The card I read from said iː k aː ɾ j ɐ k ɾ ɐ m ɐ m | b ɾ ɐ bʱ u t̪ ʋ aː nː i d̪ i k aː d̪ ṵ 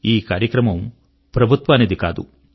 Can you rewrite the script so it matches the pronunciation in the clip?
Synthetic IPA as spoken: iː k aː ɾ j ɐ k ɾ ɐ m ɐ m | p ɾ ɐ bʱ u t̪ ʋ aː n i d̪ i k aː d̪ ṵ